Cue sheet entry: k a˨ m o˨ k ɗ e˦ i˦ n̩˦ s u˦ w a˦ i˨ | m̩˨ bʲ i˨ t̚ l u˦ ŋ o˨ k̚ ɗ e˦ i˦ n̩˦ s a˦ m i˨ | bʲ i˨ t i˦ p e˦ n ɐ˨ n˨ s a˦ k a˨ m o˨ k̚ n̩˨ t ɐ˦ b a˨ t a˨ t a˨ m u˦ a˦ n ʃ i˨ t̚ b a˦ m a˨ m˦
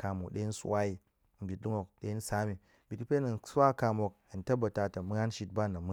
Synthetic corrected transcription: k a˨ m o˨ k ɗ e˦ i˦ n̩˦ s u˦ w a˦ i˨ | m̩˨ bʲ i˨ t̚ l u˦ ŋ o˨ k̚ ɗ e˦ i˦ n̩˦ s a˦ m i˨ | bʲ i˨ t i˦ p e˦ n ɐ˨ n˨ s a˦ k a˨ m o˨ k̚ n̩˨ t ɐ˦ b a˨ t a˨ t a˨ m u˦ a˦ n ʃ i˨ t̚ b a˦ n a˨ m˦